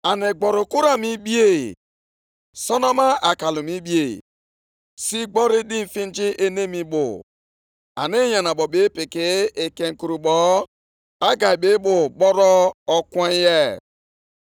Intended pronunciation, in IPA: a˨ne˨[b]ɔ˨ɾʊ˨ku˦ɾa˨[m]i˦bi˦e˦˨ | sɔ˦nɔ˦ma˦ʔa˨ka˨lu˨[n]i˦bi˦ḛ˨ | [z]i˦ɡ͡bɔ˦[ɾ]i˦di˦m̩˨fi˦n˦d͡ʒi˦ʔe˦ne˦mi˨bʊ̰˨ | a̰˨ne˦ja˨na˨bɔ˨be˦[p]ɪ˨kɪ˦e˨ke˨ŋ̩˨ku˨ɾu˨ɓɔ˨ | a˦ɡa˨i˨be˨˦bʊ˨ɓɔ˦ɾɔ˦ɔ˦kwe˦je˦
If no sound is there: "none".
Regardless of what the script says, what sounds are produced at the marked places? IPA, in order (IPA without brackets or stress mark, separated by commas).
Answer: ɡ͡b, m, m, s, ɾ, p